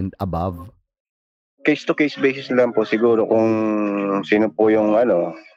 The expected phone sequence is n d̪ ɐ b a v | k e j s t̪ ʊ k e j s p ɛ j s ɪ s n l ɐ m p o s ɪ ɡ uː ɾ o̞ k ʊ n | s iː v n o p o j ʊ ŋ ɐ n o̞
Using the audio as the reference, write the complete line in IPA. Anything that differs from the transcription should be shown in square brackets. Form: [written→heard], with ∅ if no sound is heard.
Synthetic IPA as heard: n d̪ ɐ b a v | k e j s t̪ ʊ k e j s [p→b] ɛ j s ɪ s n l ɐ m p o s ɪ ɡ uː ɾ o̞ k ʊ [n→ŋ] | s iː [v→∅] n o p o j ʊ ŋ ɐ n o̞